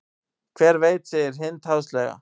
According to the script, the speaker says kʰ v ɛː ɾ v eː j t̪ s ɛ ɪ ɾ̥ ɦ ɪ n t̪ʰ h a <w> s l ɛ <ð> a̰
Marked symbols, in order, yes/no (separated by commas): yes, no